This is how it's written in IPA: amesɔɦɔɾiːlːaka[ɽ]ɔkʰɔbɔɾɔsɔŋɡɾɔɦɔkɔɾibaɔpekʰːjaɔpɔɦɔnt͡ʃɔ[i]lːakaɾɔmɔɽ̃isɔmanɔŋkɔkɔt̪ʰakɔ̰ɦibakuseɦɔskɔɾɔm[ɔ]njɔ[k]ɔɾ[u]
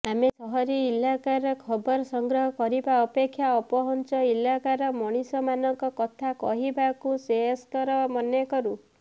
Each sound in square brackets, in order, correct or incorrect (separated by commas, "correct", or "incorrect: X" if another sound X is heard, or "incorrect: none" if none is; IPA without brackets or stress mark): incorrect: ɾ, correct, correct, correct, correct